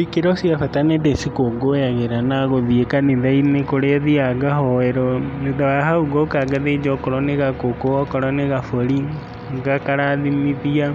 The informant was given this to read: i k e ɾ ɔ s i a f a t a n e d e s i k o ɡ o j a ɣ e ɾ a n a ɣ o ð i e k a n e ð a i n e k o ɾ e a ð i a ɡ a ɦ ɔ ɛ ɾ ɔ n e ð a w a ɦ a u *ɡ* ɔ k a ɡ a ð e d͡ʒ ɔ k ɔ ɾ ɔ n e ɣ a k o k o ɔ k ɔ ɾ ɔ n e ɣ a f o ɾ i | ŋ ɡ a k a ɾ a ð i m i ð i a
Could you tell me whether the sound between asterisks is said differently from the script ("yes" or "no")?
no